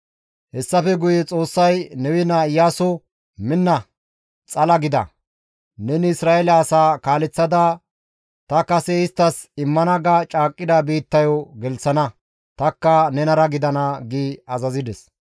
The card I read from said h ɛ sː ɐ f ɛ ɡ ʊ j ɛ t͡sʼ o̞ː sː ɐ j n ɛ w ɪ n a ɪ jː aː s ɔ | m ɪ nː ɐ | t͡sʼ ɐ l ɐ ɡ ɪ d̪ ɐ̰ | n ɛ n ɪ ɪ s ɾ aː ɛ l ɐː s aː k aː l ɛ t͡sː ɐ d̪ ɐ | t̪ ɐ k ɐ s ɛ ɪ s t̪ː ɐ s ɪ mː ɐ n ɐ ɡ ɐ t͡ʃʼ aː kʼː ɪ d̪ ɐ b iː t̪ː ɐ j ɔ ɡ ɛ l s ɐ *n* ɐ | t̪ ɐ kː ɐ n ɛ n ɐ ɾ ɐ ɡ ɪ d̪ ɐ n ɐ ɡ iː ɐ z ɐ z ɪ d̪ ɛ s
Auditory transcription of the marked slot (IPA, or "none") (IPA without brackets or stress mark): n